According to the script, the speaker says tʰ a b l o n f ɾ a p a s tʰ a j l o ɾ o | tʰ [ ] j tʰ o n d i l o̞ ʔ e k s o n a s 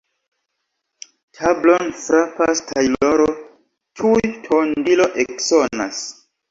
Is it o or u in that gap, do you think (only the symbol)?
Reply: u